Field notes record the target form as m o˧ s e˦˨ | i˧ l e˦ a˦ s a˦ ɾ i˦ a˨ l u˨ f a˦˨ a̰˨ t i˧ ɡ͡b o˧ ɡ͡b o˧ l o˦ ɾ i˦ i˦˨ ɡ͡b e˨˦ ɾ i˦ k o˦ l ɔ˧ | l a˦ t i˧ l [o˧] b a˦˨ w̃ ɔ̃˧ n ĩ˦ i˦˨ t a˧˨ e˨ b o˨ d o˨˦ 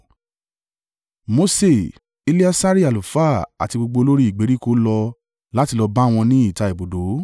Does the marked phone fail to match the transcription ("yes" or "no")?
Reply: yes